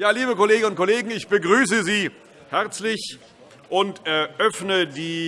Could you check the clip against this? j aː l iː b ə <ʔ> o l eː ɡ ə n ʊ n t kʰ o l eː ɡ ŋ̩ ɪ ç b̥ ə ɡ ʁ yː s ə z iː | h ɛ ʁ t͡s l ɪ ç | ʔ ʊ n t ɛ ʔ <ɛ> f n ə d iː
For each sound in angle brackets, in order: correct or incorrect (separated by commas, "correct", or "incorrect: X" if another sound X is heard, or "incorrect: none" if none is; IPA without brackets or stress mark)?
incorrect: k, incorrect: œ